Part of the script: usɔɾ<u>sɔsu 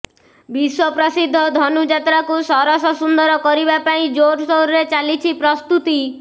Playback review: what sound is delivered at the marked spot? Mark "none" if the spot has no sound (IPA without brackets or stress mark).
ɔ